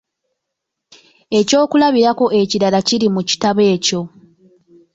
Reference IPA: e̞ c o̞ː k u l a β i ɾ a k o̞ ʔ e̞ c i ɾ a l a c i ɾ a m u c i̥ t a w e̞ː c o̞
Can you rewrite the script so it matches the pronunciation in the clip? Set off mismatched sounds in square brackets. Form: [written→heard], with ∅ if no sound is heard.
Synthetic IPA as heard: e̞ c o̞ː k u l a β i ɾ a k o̞ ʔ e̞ c i ɾ a l a c i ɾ [a→i] m u c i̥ t a [w→β] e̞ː c o̞